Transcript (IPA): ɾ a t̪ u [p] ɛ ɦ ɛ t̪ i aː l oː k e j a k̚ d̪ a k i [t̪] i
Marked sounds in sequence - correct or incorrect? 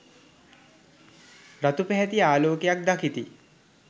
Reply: correct, correct

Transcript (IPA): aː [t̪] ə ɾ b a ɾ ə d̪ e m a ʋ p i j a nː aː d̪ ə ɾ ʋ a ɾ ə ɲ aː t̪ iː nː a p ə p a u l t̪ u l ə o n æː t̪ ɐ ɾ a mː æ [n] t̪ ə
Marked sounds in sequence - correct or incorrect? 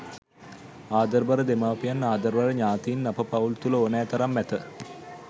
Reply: incorrect: d̪, incorrect: none

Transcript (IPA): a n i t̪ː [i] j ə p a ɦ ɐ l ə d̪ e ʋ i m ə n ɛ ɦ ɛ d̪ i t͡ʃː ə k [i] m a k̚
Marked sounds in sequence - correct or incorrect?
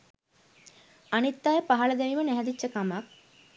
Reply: incorrect: a, incorrect: a

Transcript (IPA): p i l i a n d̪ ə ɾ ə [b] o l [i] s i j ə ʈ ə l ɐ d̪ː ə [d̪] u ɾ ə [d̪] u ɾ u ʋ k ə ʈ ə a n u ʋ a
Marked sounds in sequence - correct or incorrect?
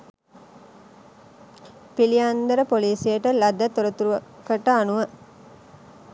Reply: incorrect: p, incorrect: iː, incorrect: t̪, incorrect: t̪

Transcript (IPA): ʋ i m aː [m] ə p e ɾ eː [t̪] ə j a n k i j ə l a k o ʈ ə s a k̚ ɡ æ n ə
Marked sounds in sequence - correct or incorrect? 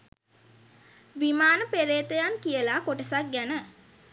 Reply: incorrect: n, correct

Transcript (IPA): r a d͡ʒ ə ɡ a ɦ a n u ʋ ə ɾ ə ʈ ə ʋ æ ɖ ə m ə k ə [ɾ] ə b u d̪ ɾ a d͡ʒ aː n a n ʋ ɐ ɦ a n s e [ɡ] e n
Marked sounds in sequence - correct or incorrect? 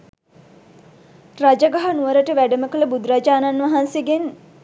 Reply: incorrect: l, correct

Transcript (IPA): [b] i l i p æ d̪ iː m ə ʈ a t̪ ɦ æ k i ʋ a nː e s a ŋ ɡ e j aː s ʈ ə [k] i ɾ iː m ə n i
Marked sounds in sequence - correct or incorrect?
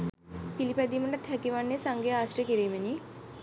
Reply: incorrect: p, correct

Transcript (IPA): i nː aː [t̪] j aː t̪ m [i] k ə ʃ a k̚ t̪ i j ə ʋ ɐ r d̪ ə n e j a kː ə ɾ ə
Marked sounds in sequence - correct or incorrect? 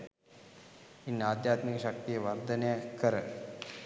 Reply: incorrect: d̪, correct

